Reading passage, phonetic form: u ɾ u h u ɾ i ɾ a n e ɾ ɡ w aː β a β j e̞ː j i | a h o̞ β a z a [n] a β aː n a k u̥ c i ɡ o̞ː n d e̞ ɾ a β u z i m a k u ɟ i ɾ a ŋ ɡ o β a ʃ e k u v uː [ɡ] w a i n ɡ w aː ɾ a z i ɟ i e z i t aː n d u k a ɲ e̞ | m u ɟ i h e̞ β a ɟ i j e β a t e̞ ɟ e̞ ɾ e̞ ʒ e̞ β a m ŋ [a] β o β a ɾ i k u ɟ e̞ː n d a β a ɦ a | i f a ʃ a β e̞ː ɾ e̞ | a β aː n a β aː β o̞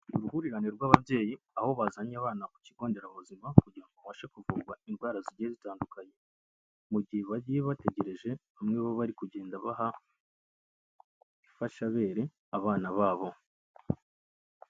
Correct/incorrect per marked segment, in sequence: incorrect, correct, incorrect

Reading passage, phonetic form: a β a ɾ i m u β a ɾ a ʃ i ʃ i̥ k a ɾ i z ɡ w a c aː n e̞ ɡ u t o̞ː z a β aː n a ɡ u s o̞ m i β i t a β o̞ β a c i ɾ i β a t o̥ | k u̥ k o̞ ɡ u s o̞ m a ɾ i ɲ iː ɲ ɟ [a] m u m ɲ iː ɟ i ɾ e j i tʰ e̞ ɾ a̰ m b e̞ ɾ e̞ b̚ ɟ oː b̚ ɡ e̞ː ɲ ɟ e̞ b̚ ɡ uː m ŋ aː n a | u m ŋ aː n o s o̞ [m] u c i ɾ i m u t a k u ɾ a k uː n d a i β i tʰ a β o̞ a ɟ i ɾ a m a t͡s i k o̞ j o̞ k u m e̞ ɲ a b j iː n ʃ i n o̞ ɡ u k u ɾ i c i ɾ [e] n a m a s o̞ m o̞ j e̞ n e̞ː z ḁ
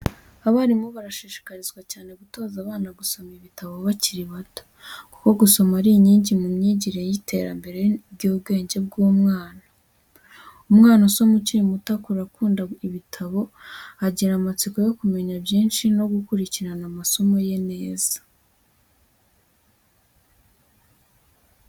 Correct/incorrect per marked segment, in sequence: incorrect, correct, incorrect

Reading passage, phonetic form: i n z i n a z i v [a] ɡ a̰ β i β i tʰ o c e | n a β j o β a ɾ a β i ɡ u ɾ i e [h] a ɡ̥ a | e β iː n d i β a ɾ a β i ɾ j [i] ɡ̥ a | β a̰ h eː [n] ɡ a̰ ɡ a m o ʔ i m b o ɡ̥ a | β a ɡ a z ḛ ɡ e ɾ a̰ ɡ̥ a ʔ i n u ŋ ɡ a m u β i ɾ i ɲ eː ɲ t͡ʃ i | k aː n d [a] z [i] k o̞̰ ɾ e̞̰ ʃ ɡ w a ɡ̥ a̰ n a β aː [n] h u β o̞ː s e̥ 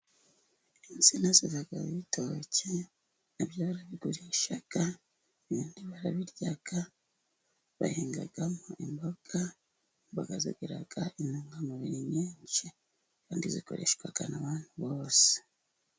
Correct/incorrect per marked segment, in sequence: correct, incorrect, incorrect, incorrect, incorrect, correct, correct

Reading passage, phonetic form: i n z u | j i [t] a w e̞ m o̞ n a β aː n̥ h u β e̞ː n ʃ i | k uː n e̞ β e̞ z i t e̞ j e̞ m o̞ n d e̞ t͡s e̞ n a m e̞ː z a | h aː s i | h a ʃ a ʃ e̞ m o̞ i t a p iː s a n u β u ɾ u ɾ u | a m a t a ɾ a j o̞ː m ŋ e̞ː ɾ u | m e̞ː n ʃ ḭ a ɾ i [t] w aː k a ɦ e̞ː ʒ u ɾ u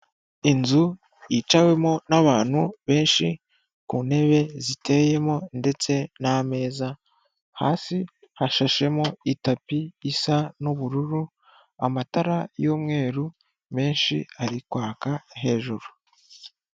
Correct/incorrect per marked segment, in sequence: incorrect, incorrect

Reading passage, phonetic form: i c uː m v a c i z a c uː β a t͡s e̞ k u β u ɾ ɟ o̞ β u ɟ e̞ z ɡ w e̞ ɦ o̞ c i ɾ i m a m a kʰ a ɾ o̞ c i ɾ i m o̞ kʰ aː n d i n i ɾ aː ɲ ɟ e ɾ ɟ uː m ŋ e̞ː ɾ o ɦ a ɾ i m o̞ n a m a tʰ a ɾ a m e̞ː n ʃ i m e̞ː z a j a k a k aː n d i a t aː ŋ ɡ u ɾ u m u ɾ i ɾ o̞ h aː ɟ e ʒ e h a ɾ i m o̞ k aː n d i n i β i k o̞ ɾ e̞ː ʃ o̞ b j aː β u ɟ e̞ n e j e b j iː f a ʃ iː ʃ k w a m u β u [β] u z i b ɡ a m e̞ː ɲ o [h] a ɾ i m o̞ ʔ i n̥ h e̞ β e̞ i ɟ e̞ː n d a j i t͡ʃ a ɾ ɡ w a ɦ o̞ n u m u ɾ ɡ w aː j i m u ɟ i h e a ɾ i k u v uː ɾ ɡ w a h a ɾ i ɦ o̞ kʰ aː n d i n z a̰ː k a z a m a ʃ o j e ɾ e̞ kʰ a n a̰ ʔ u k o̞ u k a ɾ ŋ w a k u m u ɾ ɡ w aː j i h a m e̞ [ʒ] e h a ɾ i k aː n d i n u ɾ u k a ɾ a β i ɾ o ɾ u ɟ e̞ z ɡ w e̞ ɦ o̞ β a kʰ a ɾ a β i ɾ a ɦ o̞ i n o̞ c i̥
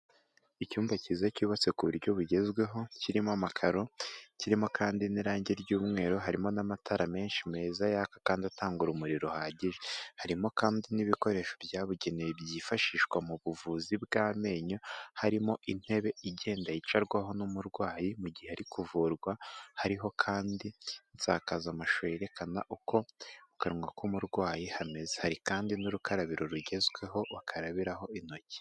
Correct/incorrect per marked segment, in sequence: incorrect, correct, incorrect

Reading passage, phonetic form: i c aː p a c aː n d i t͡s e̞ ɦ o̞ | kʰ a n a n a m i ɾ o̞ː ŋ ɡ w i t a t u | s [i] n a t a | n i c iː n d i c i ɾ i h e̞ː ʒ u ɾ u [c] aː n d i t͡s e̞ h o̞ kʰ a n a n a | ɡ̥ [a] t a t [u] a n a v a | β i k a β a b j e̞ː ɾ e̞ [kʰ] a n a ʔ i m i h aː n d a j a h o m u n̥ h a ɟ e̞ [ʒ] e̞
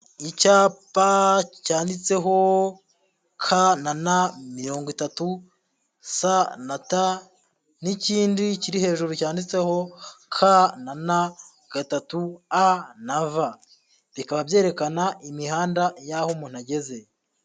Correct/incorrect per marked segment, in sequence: incorrect, correct, correct, correct, incorrect, incorrect

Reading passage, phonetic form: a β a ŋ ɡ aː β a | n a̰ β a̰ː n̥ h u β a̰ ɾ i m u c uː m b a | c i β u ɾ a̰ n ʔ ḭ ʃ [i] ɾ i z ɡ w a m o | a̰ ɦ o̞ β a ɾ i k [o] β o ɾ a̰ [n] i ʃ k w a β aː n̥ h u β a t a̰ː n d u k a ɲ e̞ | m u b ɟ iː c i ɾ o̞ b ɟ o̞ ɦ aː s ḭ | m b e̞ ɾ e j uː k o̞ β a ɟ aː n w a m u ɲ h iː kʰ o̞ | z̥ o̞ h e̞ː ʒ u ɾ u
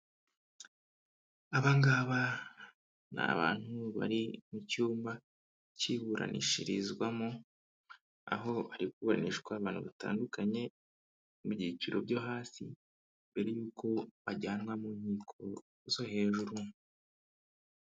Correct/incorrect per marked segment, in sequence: correct, incorrect, correct

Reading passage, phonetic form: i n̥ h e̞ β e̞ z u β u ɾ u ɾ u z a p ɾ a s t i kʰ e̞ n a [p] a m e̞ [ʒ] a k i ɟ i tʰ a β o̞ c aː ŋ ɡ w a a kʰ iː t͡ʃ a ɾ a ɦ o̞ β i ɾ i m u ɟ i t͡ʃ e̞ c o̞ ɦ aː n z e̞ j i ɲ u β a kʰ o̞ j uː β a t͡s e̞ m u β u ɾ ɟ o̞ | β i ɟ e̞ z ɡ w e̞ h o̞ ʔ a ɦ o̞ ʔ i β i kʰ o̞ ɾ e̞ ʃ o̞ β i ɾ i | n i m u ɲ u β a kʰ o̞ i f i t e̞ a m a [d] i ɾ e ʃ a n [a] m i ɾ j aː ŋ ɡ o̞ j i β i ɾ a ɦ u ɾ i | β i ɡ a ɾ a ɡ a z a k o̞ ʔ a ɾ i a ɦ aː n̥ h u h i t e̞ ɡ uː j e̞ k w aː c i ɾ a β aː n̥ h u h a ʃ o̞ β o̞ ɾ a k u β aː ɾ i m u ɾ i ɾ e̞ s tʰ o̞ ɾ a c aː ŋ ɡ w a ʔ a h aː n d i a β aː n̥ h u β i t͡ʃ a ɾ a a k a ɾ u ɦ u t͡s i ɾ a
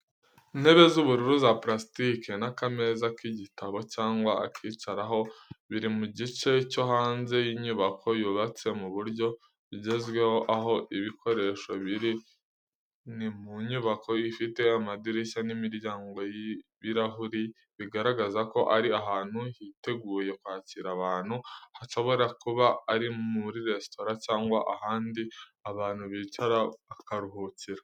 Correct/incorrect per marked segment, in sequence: incorrect, incorrect, correct, incorrect

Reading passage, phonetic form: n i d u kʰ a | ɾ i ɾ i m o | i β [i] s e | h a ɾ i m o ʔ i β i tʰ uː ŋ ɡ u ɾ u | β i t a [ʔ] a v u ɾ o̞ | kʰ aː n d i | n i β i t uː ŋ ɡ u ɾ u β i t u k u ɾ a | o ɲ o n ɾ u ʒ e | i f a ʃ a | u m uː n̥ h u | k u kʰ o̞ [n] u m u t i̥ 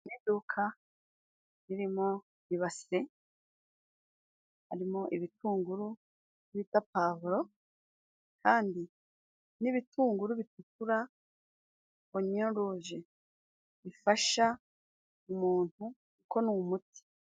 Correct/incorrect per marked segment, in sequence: incorrect, incorrect, correct

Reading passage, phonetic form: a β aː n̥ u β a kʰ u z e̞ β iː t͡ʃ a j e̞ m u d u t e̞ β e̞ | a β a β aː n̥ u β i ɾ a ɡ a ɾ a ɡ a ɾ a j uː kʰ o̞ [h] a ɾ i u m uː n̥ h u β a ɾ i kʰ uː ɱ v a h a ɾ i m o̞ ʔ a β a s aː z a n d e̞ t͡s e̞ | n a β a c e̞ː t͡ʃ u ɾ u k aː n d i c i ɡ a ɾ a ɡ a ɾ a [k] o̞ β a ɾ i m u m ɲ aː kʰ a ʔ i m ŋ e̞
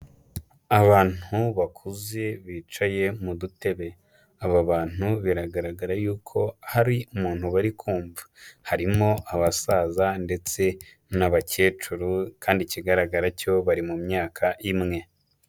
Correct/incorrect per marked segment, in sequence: correct, incorrect

